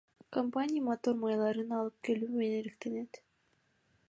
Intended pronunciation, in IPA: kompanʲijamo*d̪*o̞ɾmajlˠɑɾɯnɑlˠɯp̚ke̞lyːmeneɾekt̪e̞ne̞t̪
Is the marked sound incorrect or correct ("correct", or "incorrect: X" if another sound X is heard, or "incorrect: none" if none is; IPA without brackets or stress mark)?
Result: incorrect: t̪